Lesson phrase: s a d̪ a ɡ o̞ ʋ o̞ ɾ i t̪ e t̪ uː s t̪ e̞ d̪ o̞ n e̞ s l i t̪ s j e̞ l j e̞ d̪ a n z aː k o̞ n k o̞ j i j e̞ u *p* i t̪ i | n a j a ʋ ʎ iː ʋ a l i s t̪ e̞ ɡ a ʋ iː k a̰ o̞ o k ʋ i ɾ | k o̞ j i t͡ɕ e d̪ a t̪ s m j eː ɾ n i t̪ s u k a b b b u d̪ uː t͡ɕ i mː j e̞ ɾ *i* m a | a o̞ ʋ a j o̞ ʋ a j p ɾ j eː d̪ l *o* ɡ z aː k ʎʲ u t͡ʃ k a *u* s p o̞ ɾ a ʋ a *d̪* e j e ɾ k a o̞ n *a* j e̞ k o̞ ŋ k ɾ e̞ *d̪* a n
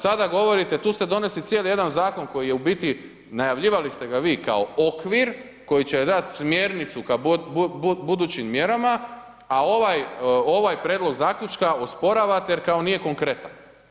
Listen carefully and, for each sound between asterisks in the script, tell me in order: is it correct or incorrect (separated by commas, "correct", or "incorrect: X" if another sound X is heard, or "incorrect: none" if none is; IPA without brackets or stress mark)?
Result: incorrect: b, incorrect: a, correct, incorrect: o, incorrect: t̪, incorrect: i, incorrect: t̪